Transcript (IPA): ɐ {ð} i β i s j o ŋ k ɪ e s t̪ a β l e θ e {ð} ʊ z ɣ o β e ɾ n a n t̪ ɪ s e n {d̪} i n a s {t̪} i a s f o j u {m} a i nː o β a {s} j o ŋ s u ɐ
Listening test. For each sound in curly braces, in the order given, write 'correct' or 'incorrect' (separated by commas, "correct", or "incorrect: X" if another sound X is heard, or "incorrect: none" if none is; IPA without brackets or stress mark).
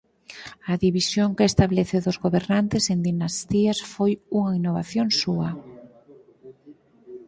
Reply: correct, correct, correct, correct, incorrect: ŋ, incorrect: θ